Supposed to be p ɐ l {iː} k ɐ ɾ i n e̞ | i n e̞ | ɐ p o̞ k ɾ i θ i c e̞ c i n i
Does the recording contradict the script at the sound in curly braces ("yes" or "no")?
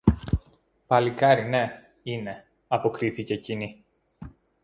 yes